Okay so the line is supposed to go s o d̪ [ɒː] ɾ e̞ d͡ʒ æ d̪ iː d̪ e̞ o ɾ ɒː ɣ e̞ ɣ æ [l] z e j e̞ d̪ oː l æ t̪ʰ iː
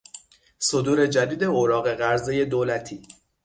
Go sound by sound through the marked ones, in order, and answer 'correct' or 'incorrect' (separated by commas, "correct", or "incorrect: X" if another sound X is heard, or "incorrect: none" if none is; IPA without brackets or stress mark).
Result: incorrect: uː, incorrect: ɾ